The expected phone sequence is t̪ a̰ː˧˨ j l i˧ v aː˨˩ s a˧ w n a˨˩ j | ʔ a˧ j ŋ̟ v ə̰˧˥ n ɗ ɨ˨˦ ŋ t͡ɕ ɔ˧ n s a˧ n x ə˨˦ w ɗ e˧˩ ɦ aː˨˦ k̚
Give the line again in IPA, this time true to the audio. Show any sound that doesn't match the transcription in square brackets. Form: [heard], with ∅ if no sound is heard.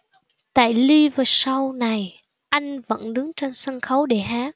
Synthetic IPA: t̪ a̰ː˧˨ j l i˧ v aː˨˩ s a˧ w n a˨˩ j | ʔ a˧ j ŋ̟ v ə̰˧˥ n ɗ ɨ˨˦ ŋ t͡ɕ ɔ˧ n s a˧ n x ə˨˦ w ɗ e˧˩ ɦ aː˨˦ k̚